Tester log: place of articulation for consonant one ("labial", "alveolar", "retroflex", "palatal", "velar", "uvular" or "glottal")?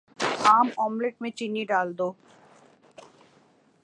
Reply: labial